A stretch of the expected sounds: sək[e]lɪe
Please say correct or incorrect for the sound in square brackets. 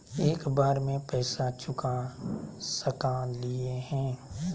incorrect